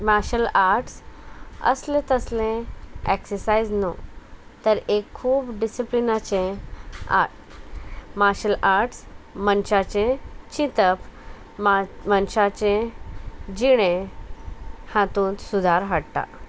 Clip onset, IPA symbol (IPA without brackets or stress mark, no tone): m